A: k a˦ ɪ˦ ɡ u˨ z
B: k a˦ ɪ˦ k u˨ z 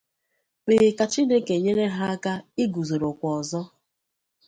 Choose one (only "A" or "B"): A